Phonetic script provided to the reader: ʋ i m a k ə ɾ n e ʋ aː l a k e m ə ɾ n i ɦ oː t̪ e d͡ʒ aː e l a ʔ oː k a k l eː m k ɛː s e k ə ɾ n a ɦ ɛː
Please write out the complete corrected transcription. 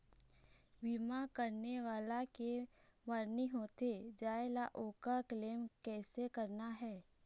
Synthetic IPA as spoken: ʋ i m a k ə ɾ n e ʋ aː l a k e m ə ɾ n i ɦ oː t̪ e d͡ʒ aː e l a ʔ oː k a k l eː m k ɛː s e k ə ɾ n a ɦ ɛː

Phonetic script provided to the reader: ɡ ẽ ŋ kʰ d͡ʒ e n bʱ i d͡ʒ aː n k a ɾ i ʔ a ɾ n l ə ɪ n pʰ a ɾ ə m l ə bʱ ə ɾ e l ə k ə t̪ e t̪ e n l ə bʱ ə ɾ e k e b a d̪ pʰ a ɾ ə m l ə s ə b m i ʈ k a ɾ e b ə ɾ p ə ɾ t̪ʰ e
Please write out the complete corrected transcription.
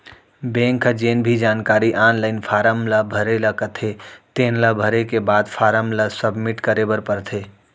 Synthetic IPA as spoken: b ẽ ŋ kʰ d͡ʒ e n bʱ i d͡ʒ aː n k a ɾ i ʔ a n l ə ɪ n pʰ a ɾ ə m l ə bʱ ə ɾ e l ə k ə t̪ʰ e t̪ e n l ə bʱ ə ɾ e k e b a d̪ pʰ a ɾ ə m l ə s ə b m i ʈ k ə ɾ e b ə ɾ p ə ɾ t̪ʰ e

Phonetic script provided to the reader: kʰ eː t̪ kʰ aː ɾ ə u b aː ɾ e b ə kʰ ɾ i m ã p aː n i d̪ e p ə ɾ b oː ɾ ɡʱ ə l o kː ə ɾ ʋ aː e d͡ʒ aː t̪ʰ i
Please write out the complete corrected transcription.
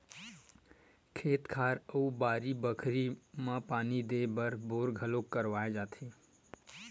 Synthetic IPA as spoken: kʰ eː t̪ kʰ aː ɾ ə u b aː ɾ i b ə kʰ ɾ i m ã p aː n i d̪ e b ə ɾ b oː ɾ ɡʱ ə l o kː ə ɾ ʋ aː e d͡ʒ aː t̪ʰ i

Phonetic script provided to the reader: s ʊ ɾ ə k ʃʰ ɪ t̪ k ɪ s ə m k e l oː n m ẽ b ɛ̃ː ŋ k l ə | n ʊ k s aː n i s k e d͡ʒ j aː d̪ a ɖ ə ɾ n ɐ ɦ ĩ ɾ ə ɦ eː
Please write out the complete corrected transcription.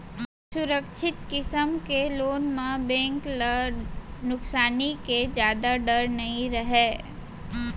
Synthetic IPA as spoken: s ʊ ɾ ə k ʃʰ ɪ t̪ k ɪ s ə m k e l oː n m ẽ b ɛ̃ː ŋ k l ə | n ʊ k s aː n i k e d͡ʒ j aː d̪ a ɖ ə ɾ n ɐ ɦ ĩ ɾ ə ɦ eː

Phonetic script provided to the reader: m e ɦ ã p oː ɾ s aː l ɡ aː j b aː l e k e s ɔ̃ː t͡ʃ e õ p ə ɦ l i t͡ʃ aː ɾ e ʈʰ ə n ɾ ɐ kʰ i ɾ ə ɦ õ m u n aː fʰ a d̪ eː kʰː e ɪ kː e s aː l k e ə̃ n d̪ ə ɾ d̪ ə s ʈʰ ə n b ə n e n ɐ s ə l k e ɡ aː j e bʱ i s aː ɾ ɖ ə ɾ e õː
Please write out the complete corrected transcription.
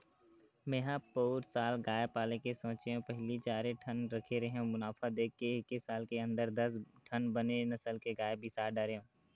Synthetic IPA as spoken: m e ɦ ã p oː ɾ s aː l ɡ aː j p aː l e k e s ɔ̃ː t͡ʃ e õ p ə ɦ l i t͡ʃ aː ɾ e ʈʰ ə n ɾ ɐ kʰ e ɾ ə ɦ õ m ʊ n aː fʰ a d̪ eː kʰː e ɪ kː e s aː l k e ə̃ n d̪ ə ɾ d̪ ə s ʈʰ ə n b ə n e n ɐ s ə l k e ɡ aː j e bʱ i s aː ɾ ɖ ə ɾ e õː

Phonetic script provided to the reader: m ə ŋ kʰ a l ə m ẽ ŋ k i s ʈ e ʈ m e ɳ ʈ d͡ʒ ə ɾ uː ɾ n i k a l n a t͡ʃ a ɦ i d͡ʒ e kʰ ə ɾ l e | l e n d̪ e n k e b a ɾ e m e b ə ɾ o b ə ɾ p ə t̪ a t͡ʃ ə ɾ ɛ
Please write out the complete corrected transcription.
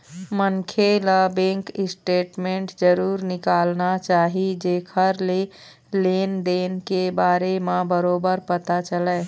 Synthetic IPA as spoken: m ə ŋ kʰ e l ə b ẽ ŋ k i s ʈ e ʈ m e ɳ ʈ d͡ʒ ə ɾ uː ɾ n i k a l n a t͡ʃ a ɦ i d͡ʒ e kʰ ə ɾ l e | l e n d̪ e n k e b a ɾ e m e b ə ɾ o b ə ɾ p ə t̪ a t͡ʃ ə l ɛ

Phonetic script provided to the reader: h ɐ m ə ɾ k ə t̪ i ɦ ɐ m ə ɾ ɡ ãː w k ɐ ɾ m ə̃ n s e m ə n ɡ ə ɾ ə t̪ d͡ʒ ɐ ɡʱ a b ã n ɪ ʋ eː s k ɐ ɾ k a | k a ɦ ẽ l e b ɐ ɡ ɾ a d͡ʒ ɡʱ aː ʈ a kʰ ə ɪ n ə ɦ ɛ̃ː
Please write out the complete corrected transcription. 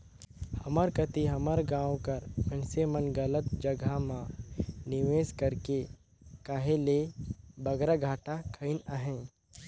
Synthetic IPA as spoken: h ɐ m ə ɾ k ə t̪ i ɦ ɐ m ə ɾ ɡ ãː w k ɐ ɾ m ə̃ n s e m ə n ɡ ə l ə t̪ d͡ʒ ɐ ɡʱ a m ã n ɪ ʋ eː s k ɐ ɾ k e | k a ɦ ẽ l e b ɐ ɡ ɾ a ɡʱ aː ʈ a kʰ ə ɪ n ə ɦ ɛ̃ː

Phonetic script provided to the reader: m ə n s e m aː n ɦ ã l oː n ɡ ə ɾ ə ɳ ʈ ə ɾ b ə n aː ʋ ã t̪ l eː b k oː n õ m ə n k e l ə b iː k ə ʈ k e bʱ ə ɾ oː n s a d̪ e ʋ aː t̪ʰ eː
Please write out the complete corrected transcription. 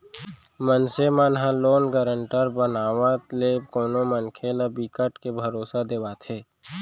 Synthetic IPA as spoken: m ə n s e m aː n ɦ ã l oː n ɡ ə ɾ ə ɳ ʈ ə ɾ b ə n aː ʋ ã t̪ l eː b k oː n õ m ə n kʰ e l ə b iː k ə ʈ k e bʱ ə ɾ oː s a d̪ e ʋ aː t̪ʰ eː

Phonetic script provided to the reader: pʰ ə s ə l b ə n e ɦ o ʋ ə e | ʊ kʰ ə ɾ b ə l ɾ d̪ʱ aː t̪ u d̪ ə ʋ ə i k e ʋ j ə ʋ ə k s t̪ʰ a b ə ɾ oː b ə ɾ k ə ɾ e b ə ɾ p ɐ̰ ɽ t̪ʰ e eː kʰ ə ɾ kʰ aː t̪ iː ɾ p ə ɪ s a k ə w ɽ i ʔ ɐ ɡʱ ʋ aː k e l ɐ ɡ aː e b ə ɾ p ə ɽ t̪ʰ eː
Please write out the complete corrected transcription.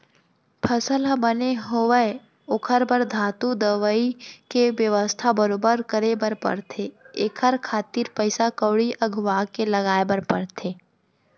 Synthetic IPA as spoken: pʰ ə s ə l b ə n e ɦ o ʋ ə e | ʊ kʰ ə ɾ b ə ɾ d̪ʱ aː t̪ u d̪ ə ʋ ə i k e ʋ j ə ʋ ə s t̪ʰ a b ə ɾ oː b ə ɾ k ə ɾ e b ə ɾ p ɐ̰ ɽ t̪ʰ e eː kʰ ə ɾ kʰ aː t̪ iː ɾ p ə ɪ s a k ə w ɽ i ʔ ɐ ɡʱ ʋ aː k e l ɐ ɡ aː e b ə ɾ p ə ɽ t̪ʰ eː

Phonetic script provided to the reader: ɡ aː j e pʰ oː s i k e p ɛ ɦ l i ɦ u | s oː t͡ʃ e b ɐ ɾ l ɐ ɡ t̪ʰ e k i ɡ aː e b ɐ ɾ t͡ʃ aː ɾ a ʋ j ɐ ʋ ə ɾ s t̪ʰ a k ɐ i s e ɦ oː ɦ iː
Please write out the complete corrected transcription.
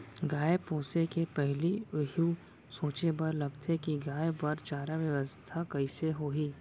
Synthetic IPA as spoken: ɡ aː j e p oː s e k e p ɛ ɦ l i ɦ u | s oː t͡ʃ e b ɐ ɾ l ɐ ɡ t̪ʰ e k i ɡ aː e b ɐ ɾ t͡ʃ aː ɾ a ʋ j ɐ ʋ ə s t̪ʰ a k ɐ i s e ɦ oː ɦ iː

